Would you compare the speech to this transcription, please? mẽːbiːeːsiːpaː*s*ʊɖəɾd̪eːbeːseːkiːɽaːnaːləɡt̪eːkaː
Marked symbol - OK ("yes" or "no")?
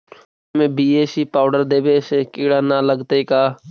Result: no